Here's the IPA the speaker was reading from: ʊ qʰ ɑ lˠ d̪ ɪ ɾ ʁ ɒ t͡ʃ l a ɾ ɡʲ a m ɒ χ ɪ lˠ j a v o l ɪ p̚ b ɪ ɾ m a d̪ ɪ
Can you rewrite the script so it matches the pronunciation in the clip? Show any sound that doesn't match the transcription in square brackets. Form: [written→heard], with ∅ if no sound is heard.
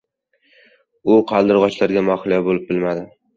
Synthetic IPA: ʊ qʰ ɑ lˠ d̪ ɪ ɾ ʁ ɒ t͡ʃ l a ɾ ɡʲ a m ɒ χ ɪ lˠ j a [v→b] o l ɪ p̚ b ɪ [ɾ→l] m a d̪ ɪ